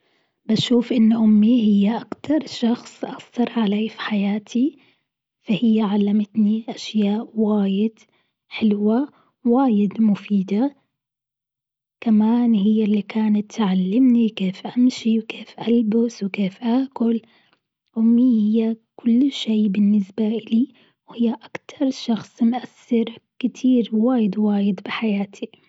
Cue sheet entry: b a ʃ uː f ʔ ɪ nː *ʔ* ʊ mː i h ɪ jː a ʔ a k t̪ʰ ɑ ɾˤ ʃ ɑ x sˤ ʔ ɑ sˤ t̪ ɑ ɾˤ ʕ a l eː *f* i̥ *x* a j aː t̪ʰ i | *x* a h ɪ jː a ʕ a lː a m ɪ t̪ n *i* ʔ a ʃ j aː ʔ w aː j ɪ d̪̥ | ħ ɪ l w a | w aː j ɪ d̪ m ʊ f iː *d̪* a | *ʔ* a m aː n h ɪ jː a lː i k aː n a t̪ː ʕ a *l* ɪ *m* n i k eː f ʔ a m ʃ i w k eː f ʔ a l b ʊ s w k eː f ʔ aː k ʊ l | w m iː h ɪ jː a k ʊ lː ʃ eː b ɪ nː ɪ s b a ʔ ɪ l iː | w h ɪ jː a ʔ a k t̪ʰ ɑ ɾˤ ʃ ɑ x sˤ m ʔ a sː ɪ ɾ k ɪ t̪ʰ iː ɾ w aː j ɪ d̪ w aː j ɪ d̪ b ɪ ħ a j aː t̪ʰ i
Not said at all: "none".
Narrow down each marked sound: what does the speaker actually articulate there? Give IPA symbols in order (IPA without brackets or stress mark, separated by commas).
ʔ, f, ħ, f, i, d̪, k, lː, m